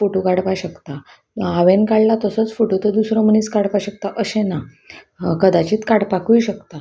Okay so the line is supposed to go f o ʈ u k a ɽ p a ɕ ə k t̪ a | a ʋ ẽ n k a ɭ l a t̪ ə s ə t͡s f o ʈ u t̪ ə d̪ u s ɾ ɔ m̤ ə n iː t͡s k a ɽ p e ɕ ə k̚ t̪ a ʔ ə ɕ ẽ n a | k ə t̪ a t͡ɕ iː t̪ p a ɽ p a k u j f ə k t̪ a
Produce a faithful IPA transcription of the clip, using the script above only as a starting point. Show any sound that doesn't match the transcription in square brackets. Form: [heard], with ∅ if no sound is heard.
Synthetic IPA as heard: f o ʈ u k a ɽ p a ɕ ə k t̪ a | a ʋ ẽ n k a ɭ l a t̪ ə s ə t͡s f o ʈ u t̪ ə d̪ u s ɾ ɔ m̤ ə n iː t͡s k a ɽ p [a] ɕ ə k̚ t̪ a ʔ ə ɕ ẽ n a | k ə [d̪] a t͡ɕ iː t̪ [k] a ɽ p a k u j [ɕ] ə k t̪ a